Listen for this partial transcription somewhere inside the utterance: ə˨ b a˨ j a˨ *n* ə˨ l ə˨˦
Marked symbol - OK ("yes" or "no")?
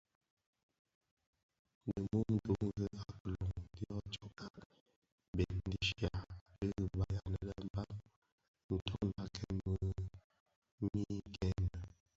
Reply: yes